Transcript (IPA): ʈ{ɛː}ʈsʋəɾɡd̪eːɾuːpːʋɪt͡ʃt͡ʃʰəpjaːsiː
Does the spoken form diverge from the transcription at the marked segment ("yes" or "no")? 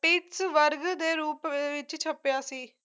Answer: yes